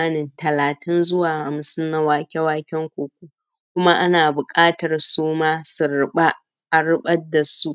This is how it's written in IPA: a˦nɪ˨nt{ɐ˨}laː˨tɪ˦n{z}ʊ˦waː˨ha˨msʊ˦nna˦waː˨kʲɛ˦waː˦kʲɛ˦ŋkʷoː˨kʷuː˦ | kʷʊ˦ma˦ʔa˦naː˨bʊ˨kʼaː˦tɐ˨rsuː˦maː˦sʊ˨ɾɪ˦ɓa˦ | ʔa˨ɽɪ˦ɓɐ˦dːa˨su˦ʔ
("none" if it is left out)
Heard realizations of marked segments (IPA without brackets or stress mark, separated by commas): ɐ˨, z